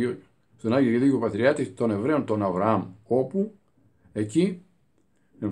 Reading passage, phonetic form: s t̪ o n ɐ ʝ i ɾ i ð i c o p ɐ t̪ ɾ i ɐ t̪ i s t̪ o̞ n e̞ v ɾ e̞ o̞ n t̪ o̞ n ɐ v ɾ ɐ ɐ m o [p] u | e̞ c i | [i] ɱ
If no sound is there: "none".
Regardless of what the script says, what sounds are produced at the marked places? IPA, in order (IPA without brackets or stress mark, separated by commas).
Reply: p, e